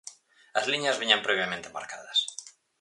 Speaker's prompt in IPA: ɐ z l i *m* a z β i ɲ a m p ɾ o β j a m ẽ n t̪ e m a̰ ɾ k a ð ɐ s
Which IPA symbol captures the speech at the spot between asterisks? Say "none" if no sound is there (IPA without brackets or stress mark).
ɲ